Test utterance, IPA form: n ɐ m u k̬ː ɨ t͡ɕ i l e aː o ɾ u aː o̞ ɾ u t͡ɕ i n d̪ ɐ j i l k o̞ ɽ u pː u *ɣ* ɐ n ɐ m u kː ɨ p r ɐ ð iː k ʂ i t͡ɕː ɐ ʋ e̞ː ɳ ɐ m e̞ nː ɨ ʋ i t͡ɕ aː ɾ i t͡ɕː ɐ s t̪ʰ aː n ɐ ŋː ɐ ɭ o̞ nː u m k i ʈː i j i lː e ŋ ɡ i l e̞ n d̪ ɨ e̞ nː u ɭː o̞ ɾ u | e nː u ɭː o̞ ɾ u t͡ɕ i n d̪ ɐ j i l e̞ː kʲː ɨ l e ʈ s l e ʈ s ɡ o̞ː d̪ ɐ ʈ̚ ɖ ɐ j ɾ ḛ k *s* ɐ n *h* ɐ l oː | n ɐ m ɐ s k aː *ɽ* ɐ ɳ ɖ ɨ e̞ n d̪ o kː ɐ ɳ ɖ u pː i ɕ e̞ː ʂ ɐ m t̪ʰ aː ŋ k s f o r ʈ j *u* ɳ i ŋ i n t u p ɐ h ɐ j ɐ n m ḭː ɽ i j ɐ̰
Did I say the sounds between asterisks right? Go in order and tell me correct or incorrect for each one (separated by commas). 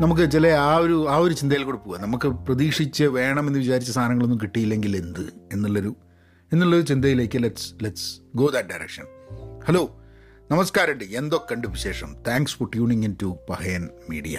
correct, incorrect, correct, incorrect, incorrect